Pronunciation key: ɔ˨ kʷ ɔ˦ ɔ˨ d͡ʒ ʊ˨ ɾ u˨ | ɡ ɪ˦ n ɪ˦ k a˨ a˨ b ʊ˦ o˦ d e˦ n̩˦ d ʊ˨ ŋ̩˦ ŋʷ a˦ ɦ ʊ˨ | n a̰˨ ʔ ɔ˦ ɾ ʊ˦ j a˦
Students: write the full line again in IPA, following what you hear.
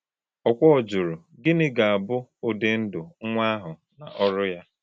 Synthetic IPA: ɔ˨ kʷ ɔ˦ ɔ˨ d͡ʒ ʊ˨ ɾ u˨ | ɡ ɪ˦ n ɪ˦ ɡ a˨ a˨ b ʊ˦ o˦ d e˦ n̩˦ d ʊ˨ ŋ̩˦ ŋʷ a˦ ɦ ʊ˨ | n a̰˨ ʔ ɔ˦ ɾ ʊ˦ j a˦